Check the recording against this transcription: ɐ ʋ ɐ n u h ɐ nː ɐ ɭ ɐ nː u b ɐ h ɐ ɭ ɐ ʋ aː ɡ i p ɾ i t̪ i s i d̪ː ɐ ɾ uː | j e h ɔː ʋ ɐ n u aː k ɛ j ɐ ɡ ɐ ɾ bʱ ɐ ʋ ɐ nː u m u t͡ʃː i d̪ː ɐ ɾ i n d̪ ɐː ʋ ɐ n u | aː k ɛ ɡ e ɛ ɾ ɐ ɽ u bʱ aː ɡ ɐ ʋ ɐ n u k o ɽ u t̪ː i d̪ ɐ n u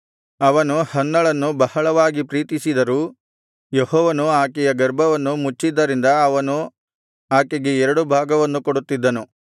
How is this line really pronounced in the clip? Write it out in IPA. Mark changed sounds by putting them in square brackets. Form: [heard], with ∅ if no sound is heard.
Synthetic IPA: ɐ ʋ ɐ n u h ɐ nː ɐ ɭ ɐ nː u b ɐ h ɐ ɭ ɐ ʋ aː ɡ i p ɾ [iː] t̪ i s i [d̪] ɐ ɾ uː | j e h ɔː ʋ ɐ n u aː k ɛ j ɐ ɡ ɐ ɾ bʱ ɐ ʋ ɐ nː u m u t͡ʃː i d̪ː ɐ ɾ i n d̪ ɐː ʋ ɐ n u | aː k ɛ ɡ e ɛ ɾ ɐ ɽ u bʱ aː ɡ ɐ ʋ ɐ [nː] u k o ɽ u t̪ː i [d̪ː] ɐ n u